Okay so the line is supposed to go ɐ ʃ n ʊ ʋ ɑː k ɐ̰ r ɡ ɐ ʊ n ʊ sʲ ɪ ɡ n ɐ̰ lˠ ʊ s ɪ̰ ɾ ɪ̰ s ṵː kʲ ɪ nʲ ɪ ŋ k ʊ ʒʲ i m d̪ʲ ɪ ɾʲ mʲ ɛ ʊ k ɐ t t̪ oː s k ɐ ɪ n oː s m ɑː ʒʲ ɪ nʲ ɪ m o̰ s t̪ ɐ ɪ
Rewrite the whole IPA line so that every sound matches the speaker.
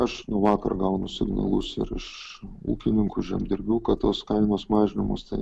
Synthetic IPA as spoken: ɐ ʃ n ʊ ʋ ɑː k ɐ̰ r ɡ ɐ ʊ n ʊ sʲ ɪ ɡ n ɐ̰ lˠ ʊ s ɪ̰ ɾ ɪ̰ ʃ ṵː kʲ ɪ nʲ ɪ ŋ k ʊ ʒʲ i m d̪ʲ ɪ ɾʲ bʲ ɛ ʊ k ɐ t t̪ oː s k ɐ ɪ n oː s m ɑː ʒʲ ɪ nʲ ɪ m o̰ s t̪ ɐ ɪ

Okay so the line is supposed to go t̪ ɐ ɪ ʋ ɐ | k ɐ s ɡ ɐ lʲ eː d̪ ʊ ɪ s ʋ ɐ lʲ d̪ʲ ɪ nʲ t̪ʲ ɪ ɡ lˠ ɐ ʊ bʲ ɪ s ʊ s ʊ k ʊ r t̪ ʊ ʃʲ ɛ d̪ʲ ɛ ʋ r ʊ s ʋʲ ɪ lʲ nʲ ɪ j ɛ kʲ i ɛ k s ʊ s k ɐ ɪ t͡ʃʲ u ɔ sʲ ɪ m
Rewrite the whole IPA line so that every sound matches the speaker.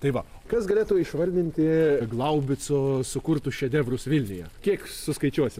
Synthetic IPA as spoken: t̪ ɐ ɪ ʋ ɐ | k ɐ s ɡ ɐ lʲ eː t̪ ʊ ɪ ʃ ʋ ɐ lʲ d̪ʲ ɪ nʲ t̪ʲ ɪ ɡ lˠ ɐ ʊ bʲ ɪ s ʊ s ʊ k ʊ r t̪ ʊ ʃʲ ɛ d̪ʲ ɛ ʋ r ʊ s ʋʲ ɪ lʲ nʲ ɪ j ɛ kʲ i ɛ k s ʊ s k ɐ ɪ t͡ʃʲ u ɔ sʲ ɪ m

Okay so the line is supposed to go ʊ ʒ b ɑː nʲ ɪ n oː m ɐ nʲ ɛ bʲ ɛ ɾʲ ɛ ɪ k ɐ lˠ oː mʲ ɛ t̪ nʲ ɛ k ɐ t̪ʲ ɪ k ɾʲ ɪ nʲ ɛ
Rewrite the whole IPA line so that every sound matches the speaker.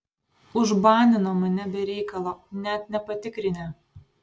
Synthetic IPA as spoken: ʊ ʒ b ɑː nʲ ɪ n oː m ɐ nʲ ɛ bʲ ɛ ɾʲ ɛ ɪ k ɐ lˠ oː nʲ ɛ t̪ nʲ ɛ p ɐ t̪ʲ ɪ k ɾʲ ɪ nʲ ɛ

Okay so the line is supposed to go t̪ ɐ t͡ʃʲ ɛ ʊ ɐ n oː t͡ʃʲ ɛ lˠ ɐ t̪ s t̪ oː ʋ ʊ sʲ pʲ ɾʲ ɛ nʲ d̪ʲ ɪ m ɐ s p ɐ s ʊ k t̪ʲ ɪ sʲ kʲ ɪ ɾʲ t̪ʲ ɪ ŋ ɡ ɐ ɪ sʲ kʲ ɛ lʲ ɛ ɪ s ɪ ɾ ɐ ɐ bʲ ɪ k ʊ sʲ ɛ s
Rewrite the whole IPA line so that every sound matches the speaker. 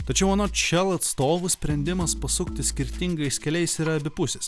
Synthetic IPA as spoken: t̪ ɐ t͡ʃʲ ɛ ʊ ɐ n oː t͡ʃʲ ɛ lˠ ɐ t̪ s t̪ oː ʋ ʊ sʲ pʲ ɾʲ ɛ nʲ d̪ʲ ɪ m ɐ s p ɐ s ʊ k t̪ʲ ɪ sʲ kʲ ɪ ɾʲ t̪ʲ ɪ ŋ ɡ ɐ ɪ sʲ kʲ ɛ lʲ ɛ ɪ s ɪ ɾ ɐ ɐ bʲ ɪ p ʊ sʲ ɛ s

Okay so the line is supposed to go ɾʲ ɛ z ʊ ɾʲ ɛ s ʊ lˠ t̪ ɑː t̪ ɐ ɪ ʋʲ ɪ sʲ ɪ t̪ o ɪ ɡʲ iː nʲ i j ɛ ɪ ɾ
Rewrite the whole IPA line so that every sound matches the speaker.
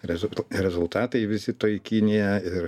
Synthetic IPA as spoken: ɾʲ ɛ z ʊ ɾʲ ɛ z ʊ lˠ t̪ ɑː t̪ ɐ ɪ ʋʲ ɪ sʲ ɪ t̪ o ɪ kʲ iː nʲ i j ɛ ɪ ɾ

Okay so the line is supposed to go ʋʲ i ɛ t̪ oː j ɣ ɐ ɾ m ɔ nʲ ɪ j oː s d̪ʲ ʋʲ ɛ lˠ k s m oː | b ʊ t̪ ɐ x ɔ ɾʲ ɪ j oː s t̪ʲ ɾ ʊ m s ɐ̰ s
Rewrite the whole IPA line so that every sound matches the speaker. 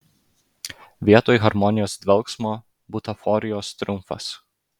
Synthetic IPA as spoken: ʋʲ i ɛ t̪ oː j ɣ ɐ ɾ m ɔ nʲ ɪ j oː s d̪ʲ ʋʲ ɛ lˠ k s m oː | b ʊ t̪ ɐ f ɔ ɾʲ ɪ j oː s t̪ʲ ɾ ʊ m f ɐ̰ s

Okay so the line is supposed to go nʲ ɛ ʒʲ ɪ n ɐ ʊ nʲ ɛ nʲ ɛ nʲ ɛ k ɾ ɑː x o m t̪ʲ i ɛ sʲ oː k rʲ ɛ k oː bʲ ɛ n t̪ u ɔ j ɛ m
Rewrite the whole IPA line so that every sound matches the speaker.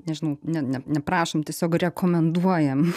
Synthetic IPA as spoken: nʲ ɛ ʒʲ ɪ n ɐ ʊ nʲ ɛ nʲ ɛ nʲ ɛ p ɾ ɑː ʃ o m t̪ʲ i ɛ sʲ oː k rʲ ɛ k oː mʲ ɛ n d̪ u ɔ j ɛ m

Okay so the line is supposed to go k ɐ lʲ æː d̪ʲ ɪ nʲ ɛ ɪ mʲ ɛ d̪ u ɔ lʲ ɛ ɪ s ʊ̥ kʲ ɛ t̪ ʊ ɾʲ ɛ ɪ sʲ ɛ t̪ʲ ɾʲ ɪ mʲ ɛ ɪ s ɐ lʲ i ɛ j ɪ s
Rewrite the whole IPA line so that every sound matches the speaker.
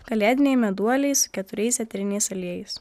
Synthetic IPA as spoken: k ɐ lʲ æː d̪ʲ ɪ nʲ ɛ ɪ mʲ ɛ d̪ u ɔ lʲ ɛ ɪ s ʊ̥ kʲ ɛ t̪ ʊ ɾʲ ɛ ɪ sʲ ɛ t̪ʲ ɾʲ ɪ nʲ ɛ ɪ s ɐ lʲ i ɛ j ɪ s

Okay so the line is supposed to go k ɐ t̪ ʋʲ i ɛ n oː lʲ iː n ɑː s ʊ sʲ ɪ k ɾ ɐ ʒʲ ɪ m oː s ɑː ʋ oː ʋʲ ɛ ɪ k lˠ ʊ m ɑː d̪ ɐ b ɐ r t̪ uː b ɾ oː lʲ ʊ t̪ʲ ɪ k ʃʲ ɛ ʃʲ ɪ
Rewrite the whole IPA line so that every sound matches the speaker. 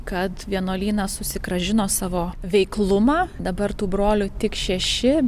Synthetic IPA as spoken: k ɐ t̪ ʋʲ i ɛ n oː lʲ iː n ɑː s ʊ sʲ ɪ k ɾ ɐ ʒʲ ɪ n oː s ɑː ʋ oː ʋʲ ɛ ɪ k lˠ ʊ m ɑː d̪ ɐ b ɐ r t̪ uː b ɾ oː lʲ ʊ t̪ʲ ɪ k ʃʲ ɛ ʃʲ ɪ

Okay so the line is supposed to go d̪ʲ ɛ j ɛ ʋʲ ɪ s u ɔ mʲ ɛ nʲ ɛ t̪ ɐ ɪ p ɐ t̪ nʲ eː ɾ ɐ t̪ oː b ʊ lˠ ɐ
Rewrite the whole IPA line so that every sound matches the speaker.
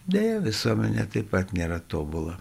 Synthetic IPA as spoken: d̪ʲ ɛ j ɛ ʋʲ ɪ s u ɔ mʲ ɛ nʲ ɛ t̪ ɐ ɪ p ɐ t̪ nʲ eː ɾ ɐ t̪ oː b ʊ lˠ ɐ

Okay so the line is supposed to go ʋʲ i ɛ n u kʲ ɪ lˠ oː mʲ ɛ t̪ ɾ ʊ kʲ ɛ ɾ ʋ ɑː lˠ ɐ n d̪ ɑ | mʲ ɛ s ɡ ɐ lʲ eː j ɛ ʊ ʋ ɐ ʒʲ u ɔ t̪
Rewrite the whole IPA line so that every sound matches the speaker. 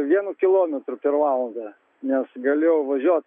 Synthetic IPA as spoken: ʋʲ i ɛ n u kʲ ɪ lˠ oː mʲ ɛ t̪ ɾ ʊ pʲ ɛ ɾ ʋ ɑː lˠ ɐ n d̪ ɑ | nʲ ɛ s ɡ ɐ lʲ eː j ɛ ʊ ʋ ɐ ʒʲ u ɔ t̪

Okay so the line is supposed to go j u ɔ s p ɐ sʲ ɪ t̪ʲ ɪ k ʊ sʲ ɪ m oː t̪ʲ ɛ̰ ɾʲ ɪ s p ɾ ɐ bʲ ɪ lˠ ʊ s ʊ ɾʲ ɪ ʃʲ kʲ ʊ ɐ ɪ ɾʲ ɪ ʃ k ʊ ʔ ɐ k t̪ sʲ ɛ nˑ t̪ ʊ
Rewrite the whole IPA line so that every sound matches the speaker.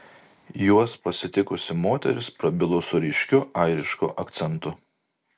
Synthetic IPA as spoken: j u ɔ s p ɐ sʲ ɪ t̪ʲ ɪ k ʊ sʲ ɪ m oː t̪ʲ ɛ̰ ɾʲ ɪ s p ɾ ɐ bʲ ɪ lˠ ʊ s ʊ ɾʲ ɪ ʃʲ kʲ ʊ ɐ ɪ ɾʲ ɪ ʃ k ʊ ʔ ɐ k t̪ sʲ ɛ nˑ t̪ ʊ

